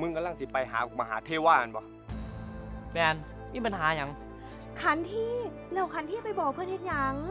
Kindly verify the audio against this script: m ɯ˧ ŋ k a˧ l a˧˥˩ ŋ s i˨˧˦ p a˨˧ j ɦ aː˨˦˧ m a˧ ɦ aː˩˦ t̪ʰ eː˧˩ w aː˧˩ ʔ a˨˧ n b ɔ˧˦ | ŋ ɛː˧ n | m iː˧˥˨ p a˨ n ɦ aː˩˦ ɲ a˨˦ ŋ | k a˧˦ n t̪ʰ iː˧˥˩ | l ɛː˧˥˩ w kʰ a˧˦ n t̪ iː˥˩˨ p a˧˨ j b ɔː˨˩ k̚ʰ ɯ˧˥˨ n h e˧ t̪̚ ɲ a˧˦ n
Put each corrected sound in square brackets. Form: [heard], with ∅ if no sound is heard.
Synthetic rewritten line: m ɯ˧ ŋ k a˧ l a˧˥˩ ŋ s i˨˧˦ p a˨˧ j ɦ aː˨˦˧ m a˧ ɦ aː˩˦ t̪ʰ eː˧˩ w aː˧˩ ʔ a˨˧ n b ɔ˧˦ | [m] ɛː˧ n | m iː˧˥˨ p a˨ n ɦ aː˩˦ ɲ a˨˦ ŋ | [kʰ] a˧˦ n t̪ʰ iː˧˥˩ | l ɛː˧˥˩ w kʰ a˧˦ n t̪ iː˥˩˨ p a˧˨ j b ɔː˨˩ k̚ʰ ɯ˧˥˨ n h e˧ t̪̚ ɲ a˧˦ [ŋ]

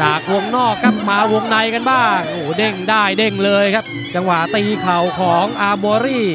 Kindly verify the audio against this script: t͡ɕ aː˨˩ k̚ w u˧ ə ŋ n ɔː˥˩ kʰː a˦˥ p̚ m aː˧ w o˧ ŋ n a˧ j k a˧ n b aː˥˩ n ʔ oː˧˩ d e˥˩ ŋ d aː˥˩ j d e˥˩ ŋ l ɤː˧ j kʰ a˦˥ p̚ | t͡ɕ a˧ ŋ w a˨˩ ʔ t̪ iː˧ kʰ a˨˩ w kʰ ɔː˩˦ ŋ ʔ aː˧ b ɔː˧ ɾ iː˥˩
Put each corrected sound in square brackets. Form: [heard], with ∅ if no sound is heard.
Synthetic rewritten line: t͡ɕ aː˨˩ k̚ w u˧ ə ŋ n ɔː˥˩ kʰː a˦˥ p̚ m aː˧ w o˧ ŋ n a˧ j k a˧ n b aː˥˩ [ŋ] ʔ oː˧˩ d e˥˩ ŋ d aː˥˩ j d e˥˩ ŋ l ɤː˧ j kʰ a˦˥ p̚ | t͡ɕ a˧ ŋ w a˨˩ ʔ t̪ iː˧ kʰ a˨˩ w kʰ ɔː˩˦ ŋ ʔ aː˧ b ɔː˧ ɾ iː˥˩

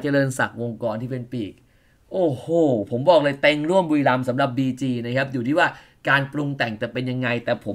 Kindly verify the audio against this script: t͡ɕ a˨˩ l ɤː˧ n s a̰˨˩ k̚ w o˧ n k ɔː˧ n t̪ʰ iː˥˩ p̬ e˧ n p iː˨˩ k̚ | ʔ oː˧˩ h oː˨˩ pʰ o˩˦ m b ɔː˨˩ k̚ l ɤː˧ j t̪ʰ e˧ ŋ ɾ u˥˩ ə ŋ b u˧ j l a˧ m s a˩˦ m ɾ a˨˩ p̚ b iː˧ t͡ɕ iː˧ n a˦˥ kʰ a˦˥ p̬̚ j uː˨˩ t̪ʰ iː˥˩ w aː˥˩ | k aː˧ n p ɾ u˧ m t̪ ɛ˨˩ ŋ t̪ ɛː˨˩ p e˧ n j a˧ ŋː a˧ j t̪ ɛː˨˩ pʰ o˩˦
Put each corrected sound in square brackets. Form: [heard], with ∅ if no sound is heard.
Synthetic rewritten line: t͡ɕ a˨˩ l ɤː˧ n s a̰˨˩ k̚ w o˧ [ŋ] k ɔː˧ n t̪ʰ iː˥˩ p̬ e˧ n p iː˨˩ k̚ | ʔ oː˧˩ h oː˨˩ pʰ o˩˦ m b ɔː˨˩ k̚ l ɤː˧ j [t̪] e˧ ŋ ɾ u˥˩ ə [m] b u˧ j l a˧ m s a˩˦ m ɾ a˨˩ p̚ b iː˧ t͡ɕ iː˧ n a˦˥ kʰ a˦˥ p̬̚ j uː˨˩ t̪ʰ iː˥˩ w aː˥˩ | k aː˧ n p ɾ u˧ [ŋ] t̪ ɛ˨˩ ŋ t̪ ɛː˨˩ p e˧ n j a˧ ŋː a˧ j t̪ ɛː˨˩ pʰ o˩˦

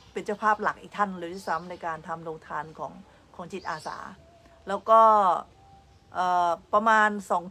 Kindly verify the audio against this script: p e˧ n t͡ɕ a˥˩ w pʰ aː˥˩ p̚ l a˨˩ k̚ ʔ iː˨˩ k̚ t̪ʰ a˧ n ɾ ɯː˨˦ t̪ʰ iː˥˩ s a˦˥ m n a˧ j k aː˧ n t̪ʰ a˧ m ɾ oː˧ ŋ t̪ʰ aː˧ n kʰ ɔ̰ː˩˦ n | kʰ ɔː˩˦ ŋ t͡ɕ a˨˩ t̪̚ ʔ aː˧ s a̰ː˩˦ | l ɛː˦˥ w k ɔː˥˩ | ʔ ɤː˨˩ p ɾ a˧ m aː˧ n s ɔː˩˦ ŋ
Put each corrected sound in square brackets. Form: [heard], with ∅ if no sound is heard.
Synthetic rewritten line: p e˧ n t͡ɕ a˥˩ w pʰ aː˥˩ p̚ l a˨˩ k̚ ʔ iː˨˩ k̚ t̪ʰ [a˥˩] n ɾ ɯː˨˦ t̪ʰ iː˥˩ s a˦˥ m n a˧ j k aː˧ n t̪ʰ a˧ m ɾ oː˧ ŋ t̪ʰ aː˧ n kʰ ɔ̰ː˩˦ [ŋ] | kʰ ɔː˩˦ ŋ t͡ɕ [i˨˩] t̪̚ ʔ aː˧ s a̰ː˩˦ | l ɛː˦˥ w k ɔː˥˩ | ʔ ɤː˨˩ p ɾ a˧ m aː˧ n s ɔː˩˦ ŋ

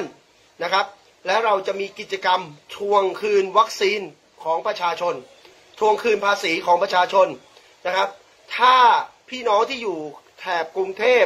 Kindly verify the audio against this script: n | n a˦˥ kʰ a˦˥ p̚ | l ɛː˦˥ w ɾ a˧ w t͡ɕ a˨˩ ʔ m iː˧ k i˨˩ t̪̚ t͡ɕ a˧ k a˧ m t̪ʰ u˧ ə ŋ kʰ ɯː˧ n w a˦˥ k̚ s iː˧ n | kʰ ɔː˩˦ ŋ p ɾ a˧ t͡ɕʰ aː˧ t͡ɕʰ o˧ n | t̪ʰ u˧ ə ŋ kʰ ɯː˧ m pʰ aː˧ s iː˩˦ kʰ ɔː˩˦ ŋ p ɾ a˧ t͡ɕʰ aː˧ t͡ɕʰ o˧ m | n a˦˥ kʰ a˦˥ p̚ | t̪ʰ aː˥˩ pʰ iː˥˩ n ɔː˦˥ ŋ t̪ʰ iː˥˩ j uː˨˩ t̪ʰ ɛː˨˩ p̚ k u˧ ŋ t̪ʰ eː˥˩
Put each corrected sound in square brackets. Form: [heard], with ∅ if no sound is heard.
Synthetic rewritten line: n | n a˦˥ kʰ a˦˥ p̚ | l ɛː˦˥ w ɾ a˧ w t͡ɕ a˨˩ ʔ m iː˧ k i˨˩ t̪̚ t͡ɕ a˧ k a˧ m t̪ʰ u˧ ə ŋ kʰ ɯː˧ n w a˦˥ k̚ s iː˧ n | kʰ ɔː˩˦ ŋ p ɾ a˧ t͡ɕʰ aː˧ t͡ɕʰ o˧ n | t̪ʰ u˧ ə ŋ kʰ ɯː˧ [n] pʰ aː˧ s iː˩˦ kʰ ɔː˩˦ ŋ p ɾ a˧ t͡ɕʰ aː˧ t͡ɕʰ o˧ [n] | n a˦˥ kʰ a˦˥ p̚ | t̪ʰ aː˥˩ pʰ iː˥˩ n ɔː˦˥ ŋ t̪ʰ iː˥˩ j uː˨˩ t̪ʰ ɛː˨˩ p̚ k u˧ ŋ t̪ʰ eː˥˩

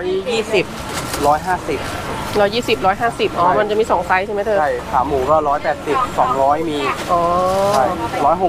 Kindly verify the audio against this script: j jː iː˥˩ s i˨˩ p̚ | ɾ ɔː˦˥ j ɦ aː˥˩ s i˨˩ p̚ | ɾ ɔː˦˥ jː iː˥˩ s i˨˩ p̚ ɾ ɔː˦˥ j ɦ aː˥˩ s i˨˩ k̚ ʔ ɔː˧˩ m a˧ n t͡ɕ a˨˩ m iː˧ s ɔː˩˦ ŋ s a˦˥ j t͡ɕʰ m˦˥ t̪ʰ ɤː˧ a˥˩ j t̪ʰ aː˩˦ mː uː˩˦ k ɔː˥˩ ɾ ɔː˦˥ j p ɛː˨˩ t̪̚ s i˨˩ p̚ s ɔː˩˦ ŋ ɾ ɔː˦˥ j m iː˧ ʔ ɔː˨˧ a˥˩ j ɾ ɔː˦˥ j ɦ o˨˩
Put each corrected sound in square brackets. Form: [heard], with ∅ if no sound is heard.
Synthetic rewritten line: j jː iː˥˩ s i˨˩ p̚ | ɾ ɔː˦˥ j ɦ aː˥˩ s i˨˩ p̚ | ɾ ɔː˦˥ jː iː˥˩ s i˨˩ p̚ ɾ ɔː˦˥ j ɦ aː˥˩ s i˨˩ [p̚] ʔ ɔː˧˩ m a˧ n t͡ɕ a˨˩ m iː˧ s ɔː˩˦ ŋ s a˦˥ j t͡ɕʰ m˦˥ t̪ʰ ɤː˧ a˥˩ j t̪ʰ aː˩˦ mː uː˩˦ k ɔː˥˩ ɾ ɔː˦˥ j p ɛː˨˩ t̪̚ s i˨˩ p̚ s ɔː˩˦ ŋ ɾ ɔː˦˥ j m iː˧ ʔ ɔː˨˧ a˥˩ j ɾ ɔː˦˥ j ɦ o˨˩

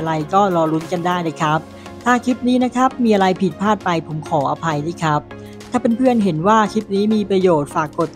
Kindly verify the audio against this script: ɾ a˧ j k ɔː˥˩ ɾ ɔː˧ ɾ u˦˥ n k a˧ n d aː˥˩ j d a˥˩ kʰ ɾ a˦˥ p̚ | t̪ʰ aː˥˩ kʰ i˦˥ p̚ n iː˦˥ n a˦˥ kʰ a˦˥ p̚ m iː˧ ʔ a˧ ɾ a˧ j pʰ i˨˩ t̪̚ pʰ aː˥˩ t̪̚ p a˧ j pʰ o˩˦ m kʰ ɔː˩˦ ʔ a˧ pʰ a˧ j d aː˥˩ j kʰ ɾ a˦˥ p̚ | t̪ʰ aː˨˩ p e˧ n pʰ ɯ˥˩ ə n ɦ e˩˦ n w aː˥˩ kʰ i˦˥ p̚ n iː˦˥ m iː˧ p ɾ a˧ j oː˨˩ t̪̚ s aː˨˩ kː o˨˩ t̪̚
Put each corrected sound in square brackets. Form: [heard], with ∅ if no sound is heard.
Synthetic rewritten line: ɾ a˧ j k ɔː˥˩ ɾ ɔː˧ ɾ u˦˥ n k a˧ n d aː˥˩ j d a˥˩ kʰ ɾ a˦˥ p̚ | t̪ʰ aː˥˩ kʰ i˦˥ p̚ n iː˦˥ n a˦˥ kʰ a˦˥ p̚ m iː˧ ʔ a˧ ɾ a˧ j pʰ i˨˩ t̪̚ pʰ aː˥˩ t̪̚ p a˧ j pʰ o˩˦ m kʰ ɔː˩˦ ʔ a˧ pʰ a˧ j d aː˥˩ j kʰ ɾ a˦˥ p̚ | t̪ʰ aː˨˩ p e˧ n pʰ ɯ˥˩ ə n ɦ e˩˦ n w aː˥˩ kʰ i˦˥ p̚ n iː˦˥ m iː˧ p ɾ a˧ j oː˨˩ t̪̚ [f] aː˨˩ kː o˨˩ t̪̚

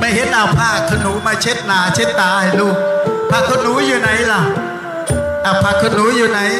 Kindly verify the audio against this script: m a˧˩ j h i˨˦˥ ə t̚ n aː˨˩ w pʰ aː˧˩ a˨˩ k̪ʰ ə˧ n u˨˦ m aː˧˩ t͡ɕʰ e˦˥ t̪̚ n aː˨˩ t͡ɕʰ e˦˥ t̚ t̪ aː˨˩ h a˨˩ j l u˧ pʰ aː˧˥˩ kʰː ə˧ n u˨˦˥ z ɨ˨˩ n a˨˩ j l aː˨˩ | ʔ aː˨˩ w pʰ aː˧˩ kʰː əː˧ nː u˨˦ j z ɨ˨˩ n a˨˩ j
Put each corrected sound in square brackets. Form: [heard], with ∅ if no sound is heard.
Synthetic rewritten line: m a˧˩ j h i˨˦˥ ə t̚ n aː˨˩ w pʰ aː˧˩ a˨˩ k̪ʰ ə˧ n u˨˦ m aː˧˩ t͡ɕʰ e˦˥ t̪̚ n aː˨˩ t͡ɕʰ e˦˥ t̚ t̪ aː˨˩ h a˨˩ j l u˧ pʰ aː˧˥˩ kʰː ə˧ n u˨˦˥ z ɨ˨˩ n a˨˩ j l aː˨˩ | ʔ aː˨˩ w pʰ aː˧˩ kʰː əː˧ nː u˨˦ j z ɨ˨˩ n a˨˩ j

